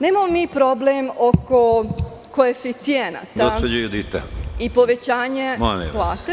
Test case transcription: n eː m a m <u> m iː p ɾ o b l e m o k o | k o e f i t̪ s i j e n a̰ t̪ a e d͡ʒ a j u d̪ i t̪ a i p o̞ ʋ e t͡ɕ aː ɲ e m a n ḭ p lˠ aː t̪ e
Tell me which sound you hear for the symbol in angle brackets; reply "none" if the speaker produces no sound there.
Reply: o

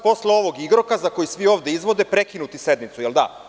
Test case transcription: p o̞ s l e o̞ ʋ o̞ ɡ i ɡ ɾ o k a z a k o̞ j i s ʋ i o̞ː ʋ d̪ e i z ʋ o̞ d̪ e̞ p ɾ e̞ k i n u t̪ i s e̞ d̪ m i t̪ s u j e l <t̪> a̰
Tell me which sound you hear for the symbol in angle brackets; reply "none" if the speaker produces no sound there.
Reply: d̪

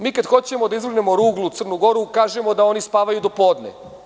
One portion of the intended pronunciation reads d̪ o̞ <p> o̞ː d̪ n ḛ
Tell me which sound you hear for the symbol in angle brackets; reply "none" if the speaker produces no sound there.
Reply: p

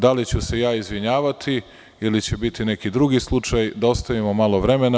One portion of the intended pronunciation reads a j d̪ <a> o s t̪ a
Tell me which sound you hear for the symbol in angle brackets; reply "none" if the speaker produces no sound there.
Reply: a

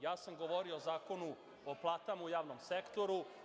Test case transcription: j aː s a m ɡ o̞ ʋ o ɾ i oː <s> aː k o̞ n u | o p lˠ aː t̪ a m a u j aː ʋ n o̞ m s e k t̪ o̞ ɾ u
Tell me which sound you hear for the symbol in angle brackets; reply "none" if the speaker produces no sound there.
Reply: z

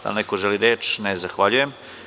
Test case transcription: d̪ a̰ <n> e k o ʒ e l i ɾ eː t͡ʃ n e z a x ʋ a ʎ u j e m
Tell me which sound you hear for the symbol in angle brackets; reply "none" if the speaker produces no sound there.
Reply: n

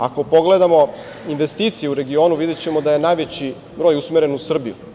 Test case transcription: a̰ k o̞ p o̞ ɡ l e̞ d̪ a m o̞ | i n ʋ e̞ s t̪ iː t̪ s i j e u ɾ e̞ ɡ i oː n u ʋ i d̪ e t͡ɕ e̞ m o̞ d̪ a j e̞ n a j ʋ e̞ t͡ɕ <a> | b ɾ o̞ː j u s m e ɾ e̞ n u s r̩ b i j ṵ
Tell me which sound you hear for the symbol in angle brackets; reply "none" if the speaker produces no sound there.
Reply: i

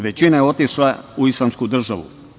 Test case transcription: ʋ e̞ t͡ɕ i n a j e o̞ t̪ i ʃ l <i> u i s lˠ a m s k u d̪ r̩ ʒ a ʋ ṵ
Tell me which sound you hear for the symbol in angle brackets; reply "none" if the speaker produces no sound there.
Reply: a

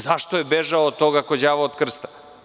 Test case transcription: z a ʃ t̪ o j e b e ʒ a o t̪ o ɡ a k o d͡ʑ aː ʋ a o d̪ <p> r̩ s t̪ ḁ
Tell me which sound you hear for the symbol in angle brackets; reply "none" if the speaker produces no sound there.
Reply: k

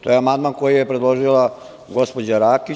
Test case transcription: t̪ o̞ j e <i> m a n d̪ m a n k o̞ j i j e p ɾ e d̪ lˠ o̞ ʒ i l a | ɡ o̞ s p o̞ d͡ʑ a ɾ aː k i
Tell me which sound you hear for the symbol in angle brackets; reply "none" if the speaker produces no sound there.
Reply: a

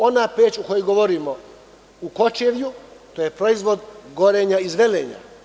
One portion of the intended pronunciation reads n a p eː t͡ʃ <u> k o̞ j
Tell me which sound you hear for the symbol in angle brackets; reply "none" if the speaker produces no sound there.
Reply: u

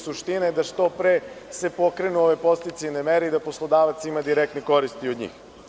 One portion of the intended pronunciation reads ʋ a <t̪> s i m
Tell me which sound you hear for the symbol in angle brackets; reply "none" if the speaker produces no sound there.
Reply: t̪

